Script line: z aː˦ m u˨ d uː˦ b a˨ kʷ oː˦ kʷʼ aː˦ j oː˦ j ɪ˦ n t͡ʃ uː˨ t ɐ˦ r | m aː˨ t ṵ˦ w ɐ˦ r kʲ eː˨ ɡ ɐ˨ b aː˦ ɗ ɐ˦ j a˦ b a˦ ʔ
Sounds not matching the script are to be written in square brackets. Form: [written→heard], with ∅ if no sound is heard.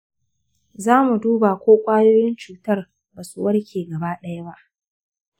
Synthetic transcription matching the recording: z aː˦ m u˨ d uː˦ b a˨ kʷ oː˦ kʷʼ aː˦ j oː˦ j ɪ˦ n t͡ʃ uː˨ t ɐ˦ r | [m→b] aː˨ [t→s] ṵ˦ w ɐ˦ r kʲ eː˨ ɡ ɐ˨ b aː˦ ɗ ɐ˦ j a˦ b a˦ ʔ